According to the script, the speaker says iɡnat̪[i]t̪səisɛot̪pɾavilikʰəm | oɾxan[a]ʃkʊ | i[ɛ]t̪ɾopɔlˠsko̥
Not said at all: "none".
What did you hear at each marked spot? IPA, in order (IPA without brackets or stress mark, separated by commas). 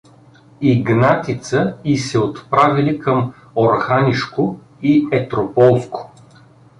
i, i, ɛ